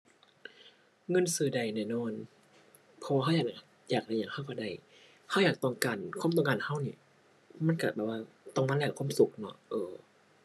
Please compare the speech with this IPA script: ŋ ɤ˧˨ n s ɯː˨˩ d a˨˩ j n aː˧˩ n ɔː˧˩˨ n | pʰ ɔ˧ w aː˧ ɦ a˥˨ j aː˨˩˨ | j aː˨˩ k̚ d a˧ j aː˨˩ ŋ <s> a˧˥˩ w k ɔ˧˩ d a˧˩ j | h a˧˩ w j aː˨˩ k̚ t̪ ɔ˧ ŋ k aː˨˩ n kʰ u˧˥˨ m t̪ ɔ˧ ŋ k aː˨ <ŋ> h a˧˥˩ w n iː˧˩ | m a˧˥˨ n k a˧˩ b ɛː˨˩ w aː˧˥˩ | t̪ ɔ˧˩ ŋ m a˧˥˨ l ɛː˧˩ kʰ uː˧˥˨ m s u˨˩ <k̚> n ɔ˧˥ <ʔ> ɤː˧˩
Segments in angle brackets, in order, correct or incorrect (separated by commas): incorrect, incorrect, correct, correct